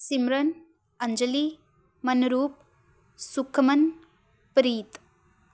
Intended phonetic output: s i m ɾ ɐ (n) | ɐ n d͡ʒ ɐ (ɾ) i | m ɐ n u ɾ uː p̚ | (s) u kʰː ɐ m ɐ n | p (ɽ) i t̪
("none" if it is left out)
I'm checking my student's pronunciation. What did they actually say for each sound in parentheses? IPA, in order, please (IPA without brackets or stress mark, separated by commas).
n, l, s, ɾ